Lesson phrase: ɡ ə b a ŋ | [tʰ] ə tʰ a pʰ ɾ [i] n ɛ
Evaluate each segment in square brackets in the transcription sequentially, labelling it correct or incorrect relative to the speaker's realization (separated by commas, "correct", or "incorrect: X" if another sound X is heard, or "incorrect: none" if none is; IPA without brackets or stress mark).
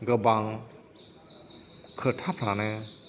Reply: incorrect: kʰ, incorrect: a